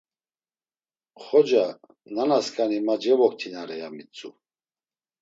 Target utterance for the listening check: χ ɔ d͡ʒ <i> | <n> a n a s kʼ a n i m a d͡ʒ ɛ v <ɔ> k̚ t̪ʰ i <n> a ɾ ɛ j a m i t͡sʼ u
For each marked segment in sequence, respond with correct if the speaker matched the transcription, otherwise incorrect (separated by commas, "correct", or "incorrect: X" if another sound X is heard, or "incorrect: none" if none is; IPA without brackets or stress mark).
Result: incorrect: a, correct, correct, correct